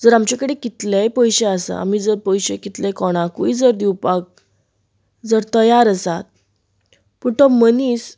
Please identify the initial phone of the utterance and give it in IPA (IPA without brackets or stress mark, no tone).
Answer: d͡z